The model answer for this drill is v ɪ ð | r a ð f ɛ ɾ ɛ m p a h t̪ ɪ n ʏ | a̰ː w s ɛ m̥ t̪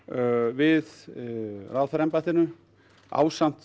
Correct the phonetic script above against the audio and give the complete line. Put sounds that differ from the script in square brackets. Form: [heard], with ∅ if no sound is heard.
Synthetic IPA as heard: v ɪ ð | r a ð f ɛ ɾ ɛ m p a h t̪ ɪ n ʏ | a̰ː w s [a] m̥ t̪